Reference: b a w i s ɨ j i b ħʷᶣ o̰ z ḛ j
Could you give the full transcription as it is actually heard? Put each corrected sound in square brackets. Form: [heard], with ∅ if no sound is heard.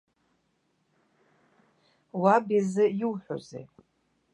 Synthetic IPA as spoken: [w] a [b] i [z] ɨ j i [w] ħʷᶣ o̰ z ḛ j